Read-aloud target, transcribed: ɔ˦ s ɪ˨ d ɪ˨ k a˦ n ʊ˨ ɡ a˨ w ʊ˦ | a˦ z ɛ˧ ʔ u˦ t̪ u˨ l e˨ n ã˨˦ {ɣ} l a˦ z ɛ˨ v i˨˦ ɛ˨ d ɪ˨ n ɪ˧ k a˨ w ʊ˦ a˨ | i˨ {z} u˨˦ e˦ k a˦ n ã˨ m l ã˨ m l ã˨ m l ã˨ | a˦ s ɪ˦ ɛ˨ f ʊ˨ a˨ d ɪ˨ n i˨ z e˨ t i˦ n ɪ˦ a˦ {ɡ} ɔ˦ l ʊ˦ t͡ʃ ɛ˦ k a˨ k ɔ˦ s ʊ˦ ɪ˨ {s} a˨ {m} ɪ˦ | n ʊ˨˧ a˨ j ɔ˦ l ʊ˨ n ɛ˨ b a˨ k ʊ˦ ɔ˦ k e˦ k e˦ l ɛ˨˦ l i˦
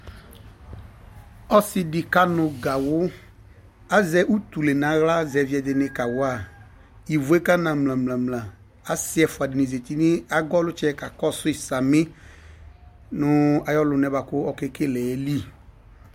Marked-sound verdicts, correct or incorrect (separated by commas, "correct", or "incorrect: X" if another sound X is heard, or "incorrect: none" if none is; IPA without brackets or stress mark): correct, incorrect: v, correct, correct, correct